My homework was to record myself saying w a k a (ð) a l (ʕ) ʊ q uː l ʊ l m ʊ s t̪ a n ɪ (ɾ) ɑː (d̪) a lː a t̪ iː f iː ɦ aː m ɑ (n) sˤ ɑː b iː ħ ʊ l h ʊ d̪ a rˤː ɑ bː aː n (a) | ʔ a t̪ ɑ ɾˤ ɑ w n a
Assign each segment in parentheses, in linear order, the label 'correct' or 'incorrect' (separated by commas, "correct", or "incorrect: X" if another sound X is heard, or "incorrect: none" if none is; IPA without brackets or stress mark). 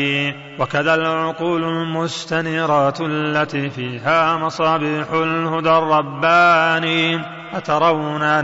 correct, correct, correct, incorrect: t̪, incorrect: none, incorrect: i